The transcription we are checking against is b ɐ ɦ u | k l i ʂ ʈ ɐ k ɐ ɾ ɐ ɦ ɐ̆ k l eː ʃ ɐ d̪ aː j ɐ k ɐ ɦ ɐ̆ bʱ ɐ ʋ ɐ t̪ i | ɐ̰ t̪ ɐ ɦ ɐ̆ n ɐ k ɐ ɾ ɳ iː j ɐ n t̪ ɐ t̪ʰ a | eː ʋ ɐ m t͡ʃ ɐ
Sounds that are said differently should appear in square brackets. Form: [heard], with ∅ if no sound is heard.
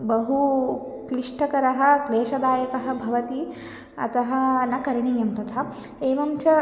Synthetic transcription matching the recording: b ɐ ɦ u | k l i ʂ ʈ ɐ k ɐ ɾ ɐ ɦ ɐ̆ k l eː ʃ ɐ d̪ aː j ɐ k ɐ ɦ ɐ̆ bʱ ɐ ʋ ɐ t̪ i | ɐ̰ t̪ ɐ ɦ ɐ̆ n ɐ k ɐ ɾ ɳ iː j ɐ [m] t̪ ɐ t̪ʰ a | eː ʋ ɐ m t͡ʃ ɐ

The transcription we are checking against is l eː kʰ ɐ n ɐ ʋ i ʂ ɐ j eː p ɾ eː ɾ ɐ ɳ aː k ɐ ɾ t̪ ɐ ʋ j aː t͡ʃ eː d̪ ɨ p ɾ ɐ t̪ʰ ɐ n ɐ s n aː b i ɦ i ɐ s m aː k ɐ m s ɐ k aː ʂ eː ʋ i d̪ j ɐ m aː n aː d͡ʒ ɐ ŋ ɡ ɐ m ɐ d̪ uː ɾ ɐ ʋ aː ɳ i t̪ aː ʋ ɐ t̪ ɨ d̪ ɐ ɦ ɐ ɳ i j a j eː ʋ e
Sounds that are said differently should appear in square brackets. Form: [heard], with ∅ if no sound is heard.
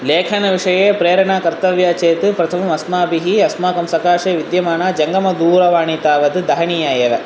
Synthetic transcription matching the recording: l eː kʰ ɐ n ɐ ʋ i ʂ ɐ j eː p ɾ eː ɾ ɐ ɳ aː k ɐ ɾ t̪ ɐ ʋ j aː t͡ʃ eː [t̪] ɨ p ɾ ɐ t̪ʰ ɐ [m] ɐ s [m] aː b i ɦ i ɐ s m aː k ɐ m s ɐ k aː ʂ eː ʋ i d̪ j ɐ m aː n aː d͡ʒ ɐ ŋ ɡ ɐ m ɐ d̪ uː ɾ ɐ ʋ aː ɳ i t̪ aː ʋ ɐ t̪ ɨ d̪ ɐ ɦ ɐ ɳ i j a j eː ʋ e

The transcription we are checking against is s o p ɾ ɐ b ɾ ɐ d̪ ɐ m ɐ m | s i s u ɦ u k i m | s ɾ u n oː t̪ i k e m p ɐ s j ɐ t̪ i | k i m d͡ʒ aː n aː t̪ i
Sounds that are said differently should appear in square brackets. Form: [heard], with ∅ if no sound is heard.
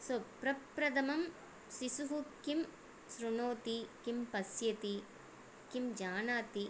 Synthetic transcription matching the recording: s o p ɾ ɐ [p] ɾ ɐ d̪ ɐ m ɐ m | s i s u ɦ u k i m | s ɾ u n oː t̪ i k [i] m p ɐ s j ɐ t̪ i | k i m d͡ʒ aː n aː t̪ i

